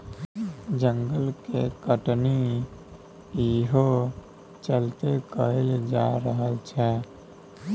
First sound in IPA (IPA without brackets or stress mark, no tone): d͡ʒ